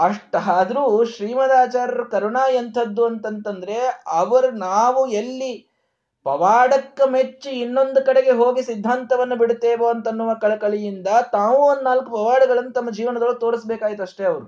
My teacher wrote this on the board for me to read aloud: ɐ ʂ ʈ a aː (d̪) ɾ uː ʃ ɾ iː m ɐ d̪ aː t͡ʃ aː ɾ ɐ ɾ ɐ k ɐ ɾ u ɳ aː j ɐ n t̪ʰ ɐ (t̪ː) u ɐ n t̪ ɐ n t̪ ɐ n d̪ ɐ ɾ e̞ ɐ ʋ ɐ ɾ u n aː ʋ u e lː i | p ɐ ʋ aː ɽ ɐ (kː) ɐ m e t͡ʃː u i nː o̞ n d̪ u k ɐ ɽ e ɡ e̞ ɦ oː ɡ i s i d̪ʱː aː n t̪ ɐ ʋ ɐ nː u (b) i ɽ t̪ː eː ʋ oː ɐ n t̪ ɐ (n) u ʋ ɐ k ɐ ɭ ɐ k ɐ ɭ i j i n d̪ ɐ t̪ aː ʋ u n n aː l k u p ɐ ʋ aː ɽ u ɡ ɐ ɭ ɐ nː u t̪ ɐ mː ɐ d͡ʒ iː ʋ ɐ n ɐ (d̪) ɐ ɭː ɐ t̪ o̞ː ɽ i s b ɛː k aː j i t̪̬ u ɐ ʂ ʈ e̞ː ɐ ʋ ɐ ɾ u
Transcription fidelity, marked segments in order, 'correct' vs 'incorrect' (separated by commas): correct, incorrect, correct, correct, incorrect, correct